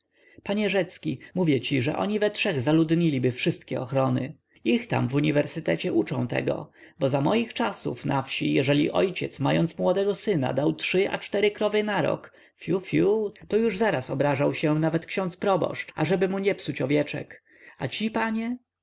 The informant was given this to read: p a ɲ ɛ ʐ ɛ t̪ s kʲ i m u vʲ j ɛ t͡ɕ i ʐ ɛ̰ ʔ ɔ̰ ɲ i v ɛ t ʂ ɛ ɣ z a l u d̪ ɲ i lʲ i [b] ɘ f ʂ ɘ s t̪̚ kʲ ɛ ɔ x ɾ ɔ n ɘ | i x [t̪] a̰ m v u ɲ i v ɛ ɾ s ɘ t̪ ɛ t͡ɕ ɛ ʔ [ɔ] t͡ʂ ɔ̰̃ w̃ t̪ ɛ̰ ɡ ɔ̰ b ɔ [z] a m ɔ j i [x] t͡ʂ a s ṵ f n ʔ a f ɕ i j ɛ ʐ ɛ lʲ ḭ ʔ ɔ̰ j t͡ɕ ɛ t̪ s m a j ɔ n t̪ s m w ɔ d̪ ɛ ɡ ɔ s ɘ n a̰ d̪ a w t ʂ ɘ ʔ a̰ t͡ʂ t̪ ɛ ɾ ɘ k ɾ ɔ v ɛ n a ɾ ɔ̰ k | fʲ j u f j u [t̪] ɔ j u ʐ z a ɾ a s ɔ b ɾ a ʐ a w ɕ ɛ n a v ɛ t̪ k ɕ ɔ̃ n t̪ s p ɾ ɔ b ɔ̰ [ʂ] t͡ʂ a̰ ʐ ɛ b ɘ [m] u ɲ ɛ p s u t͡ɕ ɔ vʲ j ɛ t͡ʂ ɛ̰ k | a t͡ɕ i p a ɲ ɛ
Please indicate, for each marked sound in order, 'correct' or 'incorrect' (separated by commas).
correct, correct, incorrect, correct, correct, correct, correct, correct